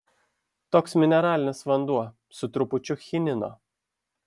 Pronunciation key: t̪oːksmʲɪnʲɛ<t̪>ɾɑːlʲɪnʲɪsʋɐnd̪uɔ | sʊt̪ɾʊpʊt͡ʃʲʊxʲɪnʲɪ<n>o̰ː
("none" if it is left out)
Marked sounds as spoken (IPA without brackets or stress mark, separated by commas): none, n